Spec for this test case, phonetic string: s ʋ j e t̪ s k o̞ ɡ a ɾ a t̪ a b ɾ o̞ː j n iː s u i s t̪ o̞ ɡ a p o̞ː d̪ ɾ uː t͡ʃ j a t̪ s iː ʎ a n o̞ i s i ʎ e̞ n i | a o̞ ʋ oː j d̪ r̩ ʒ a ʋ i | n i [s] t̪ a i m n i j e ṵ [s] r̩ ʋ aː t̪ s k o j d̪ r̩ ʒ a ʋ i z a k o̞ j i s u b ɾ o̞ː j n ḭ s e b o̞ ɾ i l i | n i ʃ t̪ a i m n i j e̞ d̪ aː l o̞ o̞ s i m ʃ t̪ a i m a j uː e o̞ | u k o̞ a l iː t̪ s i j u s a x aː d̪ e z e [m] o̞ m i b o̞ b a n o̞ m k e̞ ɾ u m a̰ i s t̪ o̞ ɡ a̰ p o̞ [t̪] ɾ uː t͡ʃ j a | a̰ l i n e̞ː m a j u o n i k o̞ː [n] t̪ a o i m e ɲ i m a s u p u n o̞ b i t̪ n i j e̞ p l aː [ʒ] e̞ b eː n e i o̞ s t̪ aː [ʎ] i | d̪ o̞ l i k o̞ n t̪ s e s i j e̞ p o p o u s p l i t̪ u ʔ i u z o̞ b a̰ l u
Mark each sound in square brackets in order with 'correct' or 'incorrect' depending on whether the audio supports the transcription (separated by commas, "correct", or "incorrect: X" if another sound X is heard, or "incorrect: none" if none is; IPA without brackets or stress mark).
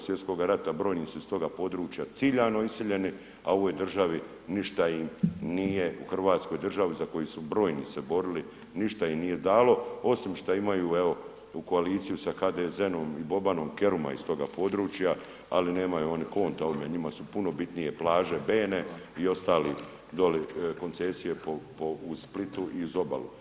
incorrect: ʃ, incorrect: x, incorrect: n, incorrect: d̪, correct, correct, incorrect: l